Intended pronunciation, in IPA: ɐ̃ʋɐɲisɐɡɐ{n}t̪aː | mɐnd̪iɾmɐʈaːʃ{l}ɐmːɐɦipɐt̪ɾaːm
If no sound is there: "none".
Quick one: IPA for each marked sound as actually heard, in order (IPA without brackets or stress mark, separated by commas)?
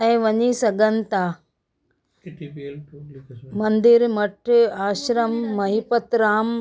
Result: n, ɾ